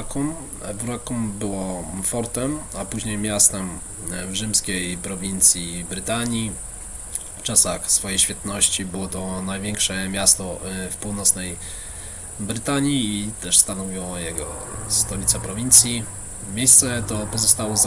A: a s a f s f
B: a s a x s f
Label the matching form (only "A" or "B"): B